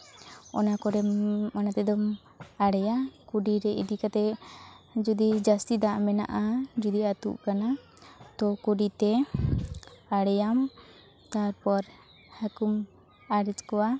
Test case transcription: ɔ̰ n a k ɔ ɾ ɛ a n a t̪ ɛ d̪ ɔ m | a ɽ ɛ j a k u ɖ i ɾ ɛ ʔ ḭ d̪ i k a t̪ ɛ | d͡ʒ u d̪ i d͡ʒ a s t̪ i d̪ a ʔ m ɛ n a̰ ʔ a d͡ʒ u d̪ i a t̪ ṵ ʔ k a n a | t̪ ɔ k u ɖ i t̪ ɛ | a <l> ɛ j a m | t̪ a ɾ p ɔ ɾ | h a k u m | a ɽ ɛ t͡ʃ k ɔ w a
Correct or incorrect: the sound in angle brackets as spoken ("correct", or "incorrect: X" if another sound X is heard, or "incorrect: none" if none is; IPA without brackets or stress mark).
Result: incorrect: ɽ